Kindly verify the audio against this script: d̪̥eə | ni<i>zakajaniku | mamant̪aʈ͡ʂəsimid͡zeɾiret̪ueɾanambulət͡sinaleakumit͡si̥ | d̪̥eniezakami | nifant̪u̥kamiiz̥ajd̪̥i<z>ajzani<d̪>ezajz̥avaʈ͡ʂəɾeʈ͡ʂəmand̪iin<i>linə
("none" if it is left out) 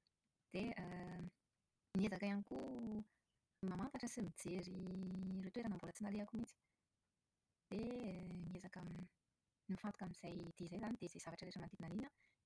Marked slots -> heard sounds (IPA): e, z, d̪, a

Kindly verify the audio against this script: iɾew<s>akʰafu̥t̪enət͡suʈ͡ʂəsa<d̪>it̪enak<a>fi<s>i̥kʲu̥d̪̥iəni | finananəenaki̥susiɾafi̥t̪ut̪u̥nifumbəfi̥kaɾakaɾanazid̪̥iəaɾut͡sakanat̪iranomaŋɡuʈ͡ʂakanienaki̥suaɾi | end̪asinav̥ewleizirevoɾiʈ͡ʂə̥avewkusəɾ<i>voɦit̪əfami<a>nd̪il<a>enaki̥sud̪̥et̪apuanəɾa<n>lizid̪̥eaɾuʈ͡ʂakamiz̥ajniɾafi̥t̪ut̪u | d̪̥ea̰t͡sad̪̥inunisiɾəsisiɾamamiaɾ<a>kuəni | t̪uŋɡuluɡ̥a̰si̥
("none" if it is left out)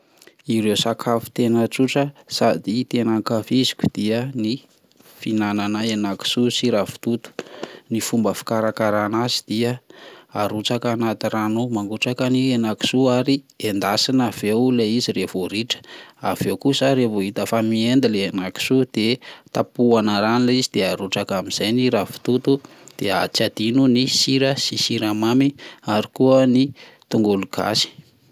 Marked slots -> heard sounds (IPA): s, d̪, a, z, e, e, e, n, i

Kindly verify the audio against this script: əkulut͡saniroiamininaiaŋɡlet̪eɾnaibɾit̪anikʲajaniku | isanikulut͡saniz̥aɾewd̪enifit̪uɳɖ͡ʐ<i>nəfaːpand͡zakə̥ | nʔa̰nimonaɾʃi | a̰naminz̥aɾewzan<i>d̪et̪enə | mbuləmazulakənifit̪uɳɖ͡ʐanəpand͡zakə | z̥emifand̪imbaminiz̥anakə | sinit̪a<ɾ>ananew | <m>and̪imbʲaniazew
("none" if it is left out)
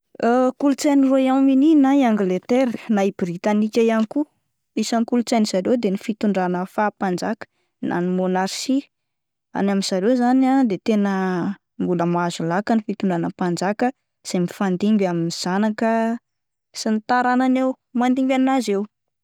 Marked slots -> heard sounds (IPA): a, a, ɾ, m

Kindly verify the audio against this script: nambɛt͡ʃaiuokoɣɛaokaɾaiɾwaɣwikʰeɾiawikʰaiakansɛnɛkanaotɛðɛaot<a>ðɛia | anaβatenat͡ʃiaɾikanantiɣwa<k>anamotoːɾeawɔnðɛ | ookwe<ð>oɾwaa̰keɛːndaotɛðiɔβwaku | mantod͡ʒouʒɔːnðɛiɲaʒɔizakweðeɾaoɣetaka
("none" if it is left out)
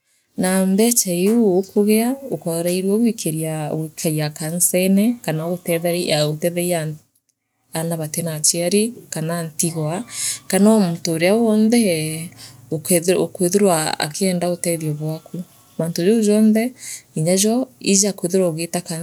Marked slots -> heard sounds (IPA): ɛ, k, ð

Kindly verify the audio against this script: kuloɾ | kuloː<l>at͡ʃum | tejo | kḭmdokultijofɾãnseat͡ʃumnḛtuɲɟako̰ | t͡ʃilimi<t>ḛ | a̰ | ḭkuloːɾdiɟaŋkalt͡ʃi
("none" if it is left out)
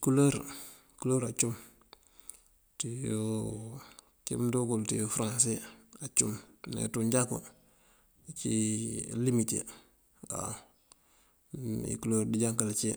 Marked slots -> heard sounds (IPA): ɾ, t

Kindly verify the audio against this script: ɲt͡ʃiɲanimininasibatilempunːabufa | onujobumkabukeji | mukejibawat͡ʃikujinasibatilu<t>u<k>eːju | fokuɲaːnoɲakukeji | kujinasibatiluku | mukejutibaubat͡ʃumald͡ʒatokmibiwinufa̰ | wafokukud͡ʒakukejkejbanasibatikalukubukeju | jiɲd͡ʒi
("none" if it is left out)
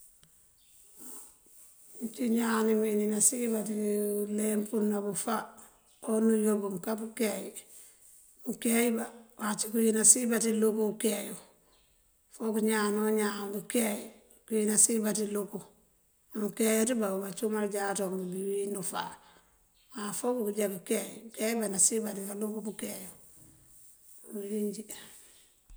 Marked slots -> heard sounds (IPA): k, k

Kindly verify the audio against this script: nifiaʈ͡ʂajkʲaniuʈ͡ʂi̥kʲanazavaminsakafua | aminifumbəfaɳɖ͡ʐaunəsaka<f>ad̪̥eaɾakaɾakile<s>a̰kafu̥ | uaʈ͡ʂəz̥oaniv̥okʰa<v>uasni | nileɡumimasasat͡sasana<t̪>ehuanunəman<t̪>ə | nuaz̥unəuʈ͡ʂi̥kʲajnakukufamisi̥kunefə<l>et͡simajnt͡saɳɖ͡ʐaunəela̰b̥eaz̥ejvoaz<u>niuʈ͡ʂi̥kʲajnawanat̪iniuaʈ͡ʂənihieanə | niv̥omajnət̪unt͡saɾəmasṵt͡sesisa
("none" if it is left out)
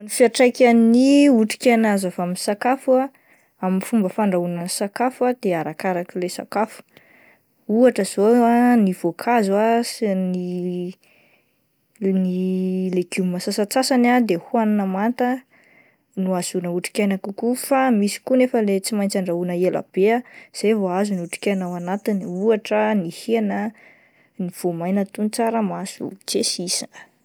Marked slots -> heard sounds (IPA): f, s, z, d̪, t̪, l, u

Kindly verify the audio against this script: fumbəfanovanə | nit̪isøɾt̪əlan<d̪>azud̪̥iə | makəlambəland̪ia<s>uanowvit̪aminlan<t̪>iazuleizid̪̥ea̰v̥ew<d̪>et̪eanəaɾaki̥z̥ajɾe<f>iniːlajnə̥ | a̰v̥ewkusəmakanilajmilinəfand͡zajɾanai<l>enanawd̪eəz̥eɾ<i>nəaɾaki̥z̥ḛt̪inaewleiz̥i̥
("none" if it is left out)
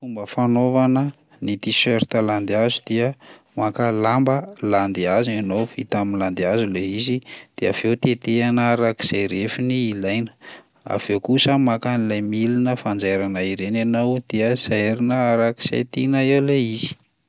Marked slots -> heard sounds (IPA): d̪, z, d̪, t̪, f, ɾ, i

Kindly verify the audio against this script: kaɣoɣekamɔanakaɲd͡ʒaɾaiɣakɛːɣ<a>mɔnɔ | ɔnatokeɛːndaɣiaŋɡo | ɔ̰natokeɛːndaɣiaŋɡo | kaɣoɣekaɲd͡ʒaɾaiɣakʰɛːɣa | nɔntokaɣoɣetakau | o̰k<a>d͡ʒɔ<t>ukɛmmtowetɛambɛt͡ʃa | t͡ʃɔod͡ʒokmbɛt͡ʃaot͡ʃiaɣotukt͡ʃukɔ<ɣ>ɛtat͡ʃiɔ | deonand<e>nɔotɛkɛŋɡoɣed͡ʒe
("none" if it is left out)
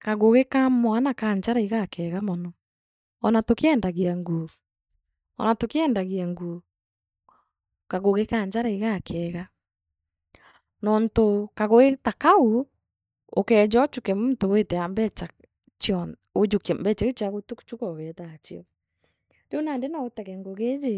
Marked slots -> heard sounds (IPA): a, ɛ, t͡ʃ, ɣ, e

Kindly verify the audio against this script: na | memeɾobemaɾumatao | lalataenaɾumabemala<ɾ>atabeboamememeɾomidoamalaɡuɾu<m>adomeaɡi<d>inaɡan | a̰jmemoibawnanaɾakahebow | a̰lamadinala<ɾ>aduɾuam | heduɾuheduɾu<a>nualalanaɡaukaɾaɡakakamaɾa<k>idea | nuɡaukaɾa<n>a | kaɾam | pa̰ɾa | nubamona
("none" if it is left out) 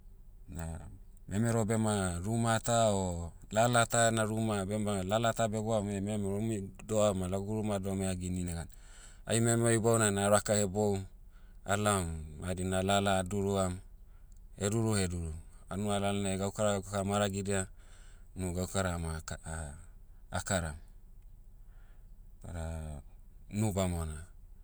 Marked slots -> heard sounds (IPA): l, m, n, l, a, ɡ, m

